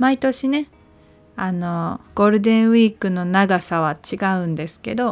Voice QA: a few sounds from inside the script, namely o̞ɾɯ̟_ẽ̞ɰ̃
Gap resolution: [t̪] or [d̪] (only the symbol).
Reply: d̪